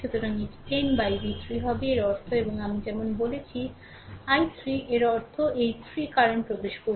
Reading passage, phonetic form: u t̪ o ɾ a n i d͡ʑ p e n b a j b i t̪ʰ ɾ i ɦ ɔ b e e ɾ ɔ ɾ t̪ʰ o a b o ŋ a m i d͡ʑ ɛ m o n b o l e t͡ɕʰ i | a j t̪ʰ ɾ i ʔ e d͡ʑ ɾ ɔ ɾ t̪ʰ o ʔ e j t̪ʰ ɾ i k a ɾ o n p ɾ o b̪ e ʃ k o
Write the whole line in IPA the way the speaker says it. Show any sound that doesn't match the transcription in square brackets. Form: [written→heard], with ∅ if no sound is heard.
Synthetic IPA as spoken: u t̪ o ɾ a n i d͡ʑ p e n b a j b i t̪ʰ ɾ i ɦ ɔ b e e ɾ ɔ ɾ t̪ʰ o [a→e] b o ŋ a m i d͡ʑ ɛ m o n b o l e t͡ɕʰ i | a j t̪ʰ ɾ i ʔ e [d͡ʑ→∅] ɾ ɔ ɾ t̪ʰ o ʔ e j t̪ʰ ɾ i k a ɾ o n p ɾ o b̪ e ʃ k o